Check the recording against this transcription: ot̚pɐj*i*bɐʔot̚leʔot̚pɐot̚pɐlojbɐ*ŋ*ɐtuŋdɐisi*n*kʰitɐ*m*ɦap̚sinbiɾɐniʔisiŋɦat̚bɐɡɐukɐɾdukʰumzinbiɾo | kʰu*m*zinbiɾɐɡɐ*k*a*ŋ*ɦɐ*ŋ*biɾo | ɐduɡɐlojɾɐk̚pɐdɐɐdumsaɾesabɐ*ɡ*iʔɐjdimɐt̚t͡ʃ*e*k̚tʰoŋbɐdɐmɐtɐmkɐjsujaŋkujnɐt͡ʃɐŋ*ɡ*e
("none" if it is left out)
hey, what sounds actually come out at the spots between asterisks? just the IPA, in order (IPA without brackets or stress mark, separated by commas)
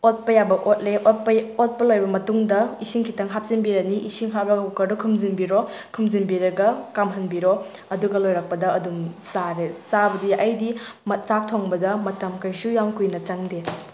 a, m, ŋ, ŋ, m, k, m, n, d, a, d